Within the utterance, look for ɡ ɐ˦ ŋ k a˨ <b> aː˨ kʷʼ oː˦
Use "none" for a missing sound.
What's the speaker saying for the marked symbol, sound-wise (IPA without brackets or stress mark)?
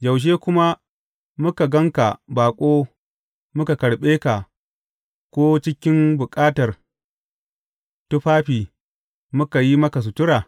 b